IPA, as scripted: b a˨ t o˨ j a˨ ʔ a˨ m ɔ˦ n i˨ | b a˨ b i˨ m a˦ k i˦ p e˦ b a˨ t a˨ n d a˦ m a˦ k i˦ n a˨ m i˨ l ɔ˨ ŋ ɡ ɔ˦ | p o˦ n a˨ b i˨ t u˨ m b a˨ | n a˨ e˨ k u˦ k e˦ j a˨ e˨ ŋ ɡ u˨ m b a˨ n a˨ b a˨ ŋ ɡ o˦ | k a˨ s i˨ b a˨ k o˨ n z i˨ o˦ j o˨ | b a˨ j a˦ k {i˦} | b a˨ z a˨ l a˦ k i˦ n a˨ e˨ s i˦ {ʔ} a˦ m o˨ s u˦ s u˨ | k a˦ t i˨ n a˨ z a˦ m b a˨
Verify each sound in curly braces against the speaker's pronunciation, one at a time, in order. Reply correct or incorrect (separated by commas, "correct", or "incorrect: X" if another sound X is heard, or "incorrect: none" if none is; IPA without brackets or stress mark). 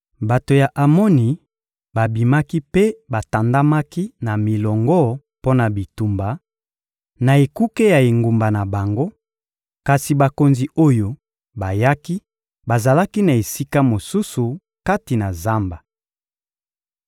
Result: correct, incorrect: k